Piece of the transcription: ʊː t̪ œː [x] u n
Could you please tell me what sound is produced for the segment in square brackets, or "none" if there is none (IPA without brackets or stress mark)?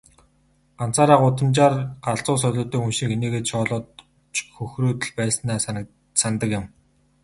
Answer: x